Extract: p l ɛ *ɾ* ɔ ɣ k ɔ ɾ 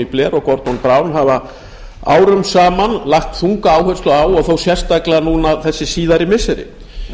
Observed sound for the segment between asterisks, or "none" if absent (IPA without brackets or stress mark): ɾ